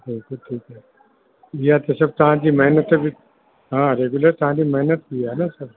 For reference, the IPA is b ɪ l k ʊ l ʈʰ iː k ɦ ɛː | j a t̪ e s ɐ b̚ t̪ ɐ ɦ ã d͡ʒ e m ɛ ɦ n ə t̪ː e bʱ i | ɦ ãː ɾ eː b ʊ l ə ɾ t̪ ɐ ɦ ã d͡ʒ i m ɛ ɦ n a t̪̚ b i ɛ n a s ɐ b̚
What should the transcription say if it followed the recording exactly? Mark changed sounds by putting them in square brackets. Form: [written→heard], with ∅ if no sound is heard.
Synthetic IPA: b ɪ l k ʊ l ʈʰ iː k ɦ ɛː | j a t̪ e s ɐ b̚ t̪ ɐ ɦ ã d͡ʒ [e→i] m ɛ ɦ n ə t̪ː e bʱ i | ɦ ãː ɾ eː [b→ɡ] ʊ l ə ɾ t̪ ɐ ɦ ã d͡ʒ i m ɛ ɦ n [a→ə] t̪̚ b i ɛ n a s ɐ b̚

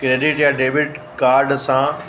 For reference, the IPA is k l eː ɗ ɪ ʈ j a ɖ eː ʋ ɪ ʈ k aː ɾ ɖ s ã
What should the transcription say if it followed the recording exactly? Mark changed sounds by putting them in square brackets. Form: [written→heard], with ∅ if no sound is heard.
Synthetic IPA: k [l→ɾ] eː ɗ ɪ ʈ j a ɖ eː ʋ ɪ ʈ k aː ɾ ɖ s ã

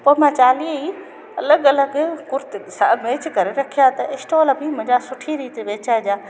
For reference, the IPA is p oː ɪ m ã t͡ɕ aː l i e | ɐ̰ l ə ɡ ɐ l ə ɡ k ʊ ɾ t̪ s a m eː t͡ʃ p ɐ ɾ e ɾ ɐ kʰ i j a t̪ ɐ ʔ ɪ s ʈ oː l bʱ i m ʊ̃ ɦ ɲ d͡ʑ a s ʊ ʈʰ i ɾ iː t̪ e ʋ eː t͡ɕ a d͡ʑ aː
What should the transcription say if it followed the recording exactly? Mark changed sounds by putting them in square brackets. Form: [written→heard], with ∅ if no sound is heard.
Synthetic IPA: p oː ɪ m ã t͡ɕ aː l i [e→i] | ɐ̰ l ə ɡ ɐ l ə ɡ k ʊ ɾ t̪ s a m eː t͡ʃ [p→k] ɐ ɾ e ɾ ɐ kʰ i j a t̪ ɐ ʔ ɪ s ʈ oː l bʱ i m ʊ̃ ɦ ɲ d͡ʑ a s ʊ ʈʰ i ɾ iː t̪ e ʋ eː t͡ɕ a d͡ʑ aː

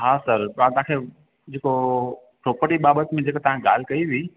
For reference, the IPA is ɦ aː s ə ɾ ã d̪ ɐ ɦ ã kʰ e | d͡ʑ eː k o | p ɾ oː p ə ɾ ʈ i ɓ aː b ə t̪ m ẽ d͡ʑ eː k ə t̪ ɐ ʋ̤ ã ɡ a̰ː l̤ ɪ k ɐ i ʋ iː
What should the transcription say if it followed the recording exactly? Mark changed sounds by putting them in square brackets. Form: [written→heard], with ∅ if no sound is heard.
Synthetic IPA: ɦ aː s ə ɾ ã [d̪→t̪] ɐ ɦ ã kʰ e | d͡ʑ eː k o | p ɾ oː p ə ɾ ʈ i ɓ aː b ə t̪ m ẽ d͡ʑ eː k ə t̪ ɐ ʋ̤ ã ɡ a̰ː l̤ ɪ k ɐ i ʋ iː

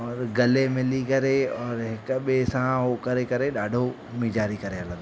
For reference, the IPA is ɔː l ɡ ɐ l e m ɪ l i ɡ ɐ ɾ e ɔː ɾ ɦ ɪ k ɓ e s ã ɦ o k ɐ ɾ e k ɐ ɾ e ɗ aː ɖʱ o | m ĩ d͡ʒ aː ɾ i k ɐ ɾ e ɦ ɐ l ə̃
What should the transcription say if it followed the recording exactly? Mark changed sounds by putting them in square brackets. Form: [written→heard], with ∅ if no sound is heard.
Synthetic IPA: ɔː [l→ɾ] ɡ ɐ l e m ɪ l i [ɡ→k] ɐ ɾ e ɔː ɾ ɦ ɪ k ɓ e s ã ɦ o k ɐ ɾ e k ɐ ɾ e ɗ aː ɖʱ o | m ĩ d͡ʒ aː ɾ i k ɐ ɾ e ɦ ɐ l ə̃

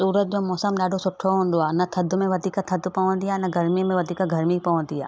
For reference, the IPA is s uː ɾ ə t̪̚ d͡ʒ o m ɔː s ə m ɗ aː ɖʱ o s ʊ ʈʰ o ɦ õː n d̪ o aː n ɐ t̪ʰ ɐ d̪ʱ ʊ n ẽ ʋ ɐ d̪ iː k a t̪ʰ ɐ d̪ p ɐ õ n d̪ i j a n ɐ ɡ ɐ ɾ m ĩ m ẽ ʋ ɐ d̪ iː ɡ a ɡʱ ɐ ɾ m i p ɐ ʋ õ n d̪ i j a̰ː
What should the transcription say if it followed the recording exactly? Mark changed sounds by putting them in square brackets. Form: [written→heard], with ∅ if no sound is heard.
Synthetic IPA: s uː ɾ ə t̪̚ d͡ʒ o m ɔː s ə m ɗ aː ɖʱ o s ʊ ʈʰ o ɦ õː n d̪ o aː n ɐ t̪ʰ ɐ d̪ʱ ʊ [n→m] ẽ ʋ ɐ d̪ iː k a t̪ʰ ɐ d̪ p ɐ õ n d̪ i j a n ɐ ɡ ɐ ɾ m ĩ m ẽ ʋ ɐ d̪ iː [ɡ→k] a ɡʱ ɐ ɾ m i p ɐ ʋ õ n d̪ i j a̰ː

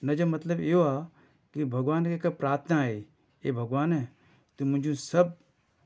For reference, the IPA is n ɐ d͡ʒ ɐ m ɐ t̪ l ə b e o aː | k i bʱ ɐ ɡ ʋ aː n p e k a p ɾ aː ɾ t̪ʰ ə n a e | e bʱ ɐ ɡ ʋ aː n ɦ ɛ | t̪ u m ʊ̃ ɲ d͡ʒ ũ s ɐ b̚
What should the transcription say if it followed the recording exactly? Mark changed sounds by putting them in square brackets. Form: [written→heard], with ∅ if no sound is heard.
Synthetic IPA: n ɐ d͡ʒ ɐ m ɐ t̪ l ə b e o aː | k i bʱ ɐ ɡ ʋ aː n [p→k] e k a p ɾ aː ɾ t̪ʰ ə n a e | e bʱ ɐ ɡ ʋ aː n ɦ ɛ | t̪ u m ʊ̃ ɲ d͡ʒ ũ s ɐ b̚

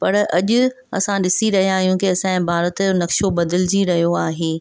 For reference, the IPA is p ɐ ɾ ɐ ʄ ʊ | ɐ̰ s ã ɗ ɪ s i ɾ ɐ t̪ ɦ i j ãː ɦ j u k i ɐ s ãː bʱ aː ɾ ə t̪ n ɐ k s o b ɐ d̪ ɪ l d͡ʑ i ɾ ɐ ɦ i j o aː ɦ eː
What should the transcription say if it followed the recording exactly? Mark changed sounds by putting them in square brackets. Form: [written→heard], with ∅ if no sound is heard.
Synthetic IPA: p ɐ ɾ ɐ ʄ ʊ | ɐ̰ s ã ɗ ɪ s i ɾ ɐ [t̪→∅] ɦ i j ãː ɦ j [u→ũ] k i ɐ s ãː bʱ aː ɾ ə t̪ n ɐ k [s→ʃ] o b ɐ d̪ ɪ l d͡ʑ i ɾ ɐ ɦ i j o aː ɦ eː

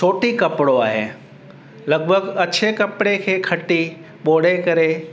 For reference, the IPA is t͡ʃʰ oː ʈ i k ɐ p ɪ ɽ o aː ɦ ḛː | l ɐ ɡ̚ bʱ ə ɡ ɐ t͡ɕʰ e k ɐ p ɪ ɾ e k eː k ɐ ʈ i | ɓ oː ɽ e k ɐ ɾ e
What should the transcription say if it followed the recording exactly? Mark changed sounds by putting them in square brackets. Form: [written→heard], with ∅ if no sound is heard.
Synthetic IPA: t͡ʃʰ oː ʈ i k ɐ p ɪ ɽ o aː ɦ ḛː | l ɐ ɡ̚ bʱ ə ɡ ɐ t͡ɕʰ e k ɐ p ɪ [ɾ→ɽ] e [k→kʰ] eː [k→kʰ] ɐ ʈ i | ɓ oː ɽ e k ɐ ɾ e

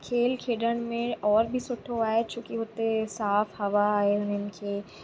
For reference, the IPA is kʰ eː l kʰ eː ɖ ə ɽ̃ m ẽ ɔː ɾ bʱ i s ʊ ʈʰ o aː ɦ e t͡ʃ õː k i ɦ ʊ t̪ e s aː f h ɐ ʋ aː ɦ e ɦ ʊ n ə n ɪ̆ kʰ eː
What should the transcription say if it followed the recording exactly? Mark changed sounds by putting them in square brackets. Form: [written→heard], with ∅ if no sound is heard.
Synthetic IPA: kʰ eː l kʰ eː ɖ ə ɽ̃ m ẽ ɔː ɾ bʱ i s ʊ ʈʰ o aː ɦ e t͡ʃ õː k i ɦ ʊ t̪ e s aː f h ɐ ʋ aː ɦ e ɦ ʊ n ə n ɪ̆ kʰ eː

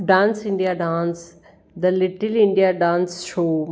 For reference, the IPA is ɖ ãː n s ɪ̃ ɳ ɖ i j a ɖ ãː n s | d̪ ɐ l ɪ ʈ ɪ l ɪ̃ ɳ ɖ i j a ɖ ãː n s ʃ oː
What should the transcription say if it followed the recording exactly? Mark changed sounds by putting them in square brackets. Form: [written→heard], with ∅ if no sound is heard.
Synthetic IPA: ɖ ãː n s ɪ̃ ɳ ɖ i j a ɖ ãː n s | d̪ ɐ l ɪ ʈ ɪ l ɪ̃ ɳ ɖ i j a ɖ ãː n s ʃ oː

